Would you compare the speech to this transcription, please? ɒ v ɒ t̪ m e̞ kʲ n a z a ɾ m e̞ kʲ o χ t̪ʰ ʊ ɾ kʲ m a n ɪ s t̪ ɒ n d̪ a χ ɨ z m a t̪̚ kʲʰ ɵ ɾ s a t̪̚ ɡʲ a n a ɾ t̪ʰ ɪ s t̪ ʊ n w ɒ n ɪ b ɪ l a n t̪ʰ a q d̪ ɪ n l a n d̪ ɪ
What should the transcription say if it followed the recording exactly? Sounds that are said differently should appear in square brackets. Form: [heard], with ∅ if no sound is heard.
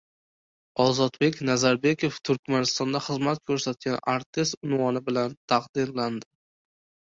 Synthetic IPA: ɒ [z] ɒ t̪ [b] e̞ kʲ n a z a ɾ [b] e̞ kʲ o [f] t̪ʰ ʊ ɾ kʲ m a n ɪ s t̪ ɒ n d̪ a χ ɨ z m a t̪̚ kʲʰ ɵ ɾ s a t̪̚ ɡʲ a n a ɾ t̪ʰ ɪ s t̪ ʊ n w ɒ n ɪ b ɪ l a n t̪ʰ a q d̪ ɪ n l a n d̪ ɪ